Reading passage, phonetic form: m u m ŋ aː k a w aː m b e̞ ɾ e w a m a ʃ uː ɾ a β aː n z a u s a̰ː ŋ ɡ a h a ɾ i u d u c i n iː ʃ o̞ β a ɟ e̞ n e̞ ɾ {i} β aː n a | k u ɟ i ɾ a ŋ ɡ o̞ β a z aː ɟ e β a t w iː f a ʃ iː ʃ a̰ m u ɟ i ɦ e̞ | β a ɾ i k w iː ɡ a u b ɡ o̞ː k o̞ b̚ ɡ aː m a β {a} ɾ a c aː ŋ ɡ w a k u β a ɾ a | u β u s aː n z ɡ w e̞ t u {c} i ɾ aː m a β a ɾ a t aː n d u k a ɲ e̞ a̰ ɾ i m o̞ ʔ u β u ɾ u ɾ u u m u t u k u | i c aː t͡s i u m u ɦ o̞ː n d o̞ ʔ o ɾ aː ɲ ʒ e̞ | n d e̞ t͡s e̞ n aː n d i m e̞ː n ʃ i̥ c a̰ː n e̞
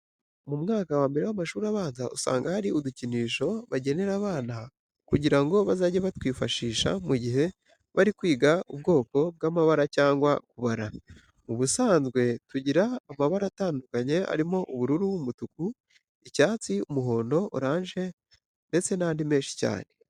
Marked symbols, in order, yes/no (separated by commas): no, yes, no